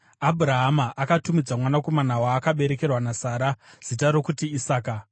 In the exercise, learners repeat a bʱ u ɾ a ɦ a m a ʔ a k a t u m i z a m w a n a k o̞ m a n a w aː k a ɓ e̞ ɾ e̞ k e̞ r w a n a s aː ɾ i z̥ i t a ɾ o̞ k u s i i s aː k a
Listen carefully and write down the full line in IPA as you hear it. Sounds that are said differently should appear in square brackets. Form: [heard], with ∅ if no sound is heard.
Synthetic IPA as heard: a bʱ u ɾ a ɦ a m a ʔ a k a t u m i [d͡z] a m w a n a k o̞ m a n a w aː k a ɓ e̞ ɾ e̞ k e̞ r w a n a s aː ɾ [a] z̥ i t a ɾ o̞ k u [t] i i s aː k a